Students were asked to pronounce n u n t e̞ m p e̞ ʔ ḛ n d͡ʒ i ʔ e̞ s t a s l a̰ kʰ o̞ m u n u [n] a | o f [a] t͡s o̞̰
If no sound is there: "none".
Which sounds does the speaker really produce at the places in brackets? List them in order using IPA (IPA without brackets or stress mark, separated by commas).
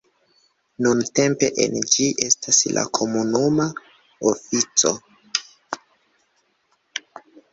m, i